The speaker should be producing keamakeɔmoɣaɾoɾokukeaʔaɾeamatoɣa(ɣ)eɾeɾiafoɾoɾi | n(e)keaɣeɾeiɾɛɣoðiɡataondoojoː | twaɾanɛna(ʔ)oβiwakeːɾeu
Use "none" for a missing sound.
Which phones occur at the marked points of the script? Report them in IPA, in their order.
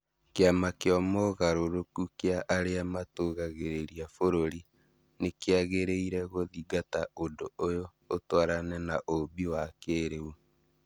ɣ, e, ʔ

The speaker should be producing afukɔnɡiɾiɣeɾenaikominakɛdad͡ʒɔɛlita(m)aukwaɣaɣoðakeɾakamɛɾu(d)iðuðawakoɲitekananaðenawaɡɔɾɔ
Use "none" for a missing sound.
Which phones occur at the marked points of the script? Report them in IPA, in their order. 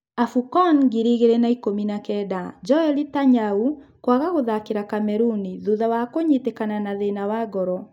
ɲ, n

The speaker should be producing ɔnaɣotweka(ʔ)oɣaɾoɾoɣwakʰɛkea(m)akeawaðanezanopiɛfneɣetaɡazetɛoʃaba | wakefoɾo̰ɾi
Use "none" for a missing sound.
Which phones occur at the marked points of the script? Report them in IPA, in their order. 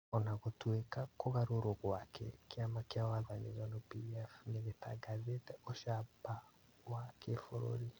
k, m

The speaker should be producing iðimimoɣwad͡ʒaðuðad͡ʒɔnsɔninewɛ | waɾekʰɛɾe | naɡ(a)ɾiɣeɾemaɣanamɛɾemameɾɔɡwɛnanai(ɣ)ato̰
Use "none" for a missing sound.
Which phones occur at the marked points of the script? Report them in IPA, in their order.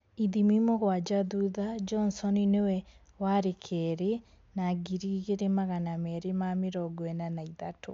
i, ð

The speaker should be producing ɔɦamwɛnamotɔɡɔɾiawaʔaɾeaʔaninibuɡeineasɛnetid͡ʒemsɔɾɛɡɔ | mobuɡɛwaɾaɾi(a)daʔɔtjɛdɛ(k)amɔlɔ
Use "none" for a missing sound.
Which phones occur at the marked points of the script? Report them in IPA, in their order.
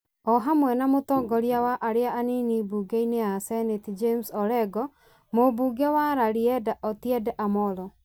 ɛ, ʔ

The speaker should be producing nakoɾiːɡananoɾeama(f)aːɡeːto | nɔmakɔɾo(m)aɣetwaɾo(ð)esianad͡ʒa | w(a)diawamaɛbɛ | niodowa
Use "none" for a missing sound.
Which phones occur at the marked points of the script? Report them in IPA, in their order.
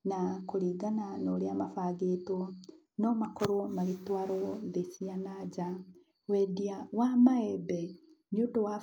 f, m, ð, ɛ

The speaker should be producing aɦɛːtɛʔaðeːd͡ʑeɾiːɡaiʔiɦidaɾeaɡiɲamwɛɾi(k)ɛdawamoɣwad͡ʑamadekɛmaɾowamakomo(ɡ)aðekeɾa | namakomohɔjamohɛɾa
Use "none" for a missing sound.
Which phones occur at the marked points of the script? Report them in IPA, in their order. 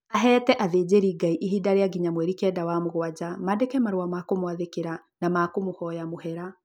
k, none

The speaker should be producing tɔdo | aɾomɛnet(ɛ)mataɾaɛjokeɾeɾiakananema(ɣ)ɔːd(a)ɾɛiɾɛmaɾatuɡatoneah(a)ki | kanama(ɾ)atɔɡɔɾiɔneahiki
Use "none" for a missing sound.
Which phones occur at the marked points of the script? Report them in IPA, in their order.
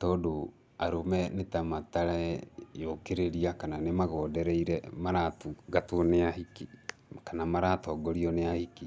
a, ɣ, ɛ, i, ɾ

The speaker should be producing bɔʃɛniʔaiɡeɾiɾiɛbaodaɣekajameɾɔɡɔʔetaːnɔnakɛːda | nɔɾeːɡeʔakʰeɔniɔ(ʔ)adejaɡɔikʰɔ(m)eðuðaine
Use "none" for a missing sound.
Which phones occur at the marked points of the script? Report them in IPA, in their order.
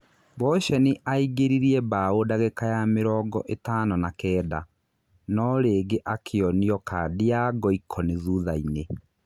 k, n

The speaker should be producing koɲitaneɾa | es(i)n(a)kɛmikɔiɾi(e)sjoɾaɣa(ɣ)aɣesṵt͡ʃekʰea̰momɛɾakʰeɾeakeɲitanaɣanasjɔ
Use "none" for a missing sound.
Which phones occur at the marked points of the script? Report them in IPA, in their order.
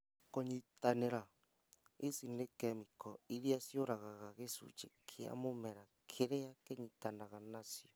i, e, a, ɣ

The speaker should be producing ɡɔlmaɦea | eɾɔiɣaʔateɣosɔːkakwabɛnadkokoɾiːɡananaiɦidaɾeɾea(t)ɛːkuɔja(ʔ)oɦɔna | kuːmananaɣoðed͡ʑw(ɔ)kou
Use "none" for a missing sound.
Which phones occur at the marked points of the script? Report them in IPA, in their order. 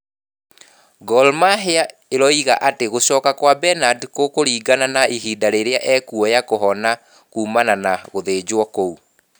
ʔ, k, ɔ

